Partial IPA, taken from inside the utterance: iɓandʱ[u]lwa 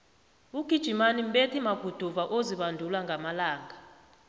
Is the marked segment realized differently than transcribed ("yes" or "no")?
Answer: no